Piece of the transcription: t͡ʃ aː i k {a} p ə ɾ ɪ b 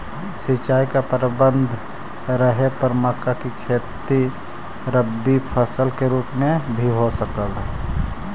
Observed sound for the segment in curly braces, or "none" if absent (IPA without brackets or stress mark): a